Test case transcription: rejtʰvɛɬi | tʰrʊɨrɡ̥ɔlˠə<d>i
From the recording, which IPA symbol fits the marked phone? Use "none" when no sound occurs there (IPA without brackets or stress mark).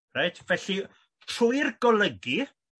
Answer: ɡ